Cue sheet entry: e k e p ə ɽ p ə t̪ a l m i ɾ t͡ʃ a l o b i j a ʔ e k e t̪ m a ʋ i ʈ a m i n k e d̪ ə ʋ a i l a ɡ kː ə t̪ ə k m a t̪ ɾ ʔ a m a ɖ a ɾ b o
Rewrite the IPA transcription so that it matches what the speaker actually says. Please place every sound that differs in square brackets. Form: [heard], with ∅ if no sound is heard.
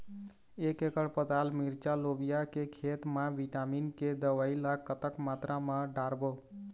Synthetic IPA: e k e [k] ə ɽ p ə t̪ a l m i ɾ t͡ʃ a l o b i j a [k] e [kʰ] e t̪ m a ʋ i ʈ a m i n k e d̪ ə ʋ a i l a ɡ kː ə t̪ ə k m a t̪ ɾ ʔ a m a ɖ a ɾ b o